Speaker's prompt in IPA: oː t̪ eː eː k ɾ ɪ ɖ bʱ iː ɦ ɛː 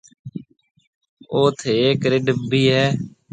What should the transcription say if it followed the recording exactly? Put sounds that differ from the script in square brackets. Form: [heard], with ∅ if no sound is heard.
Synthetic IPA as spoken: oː [t̪ʰ] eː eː k ɾ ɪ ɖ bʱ iː ɦ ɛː